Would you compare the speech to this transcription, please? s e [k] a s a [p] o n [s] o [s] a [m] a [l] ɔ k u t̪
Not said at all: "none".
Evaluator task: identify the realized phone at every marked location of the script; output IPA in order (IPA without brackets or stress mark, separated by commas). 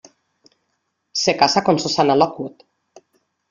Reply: k, k, s, s, n, l